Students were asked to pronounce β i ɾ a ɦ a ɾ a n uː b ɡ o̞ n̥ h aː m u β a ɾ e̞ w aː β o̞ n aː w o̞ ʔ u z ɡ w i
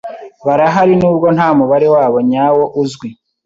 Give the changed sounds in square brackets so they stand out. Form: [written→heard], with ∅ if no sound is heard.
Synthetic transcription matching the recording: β [i→a] ɾ a ɦ a ɾ [a→i] n uː b ɡ o̞ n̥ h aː m u β a ɾ e̞ w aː β o̞ [n→ɲ] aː w o̞ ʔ u z ɡ w i